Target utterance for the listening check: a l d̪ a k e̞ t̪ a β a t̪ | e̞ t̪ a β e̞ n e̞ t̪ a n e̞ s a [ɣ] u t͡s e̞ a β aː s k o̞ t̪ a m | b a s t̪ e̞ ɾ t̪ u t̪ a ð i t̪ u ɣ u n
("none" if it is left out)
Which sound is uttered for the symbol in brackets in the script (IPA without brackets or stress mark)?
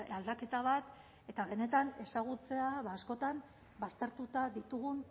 ɣ